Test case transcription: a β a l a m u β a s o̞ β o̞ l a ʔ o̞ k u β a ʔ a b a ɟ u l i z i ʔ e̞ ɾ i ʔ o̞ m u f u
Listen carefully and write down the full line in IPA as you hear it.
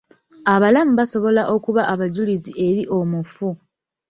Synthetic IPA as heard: a β a l a m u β a s o̞ β o̞ l a ʔ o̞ k u β a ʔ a β a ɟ u l i z i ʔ e̞ ɾ i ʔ o̞ m u f u